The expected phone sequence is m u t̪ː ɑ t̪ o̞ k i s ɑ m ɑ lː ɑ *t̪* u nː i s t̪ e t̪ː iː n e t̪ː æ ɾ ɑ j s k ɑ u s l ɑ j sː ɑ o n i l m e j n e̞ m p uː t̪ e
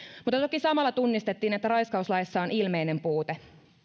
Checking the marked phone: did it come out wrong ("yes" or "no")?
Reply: no